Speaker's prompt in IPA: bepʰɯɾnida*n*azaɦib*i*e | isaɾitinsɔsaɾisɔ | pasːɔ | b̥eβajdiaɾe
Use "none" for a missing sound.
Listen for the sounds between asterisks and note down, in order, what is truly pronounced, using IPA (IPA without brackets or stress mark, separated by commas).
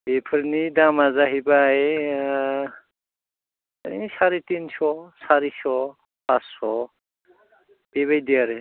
m, a